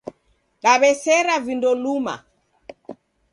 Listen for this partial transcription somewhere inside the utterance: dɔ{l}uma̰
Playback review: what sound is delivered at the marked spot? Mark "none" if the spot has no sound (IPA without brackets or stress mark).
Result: l